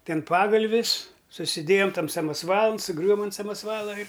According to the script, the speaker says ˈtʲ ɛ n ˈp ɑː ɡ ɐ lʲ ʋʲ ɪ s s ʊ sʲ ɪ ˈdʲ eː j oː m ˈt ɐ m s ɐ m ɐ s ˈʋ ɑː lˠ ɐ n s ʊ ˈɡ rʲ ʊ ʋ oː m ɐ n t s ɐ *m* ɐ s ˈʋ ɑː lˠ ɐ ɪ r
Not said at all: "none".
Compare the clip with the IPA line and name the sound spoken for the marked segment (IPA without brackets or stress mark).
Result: m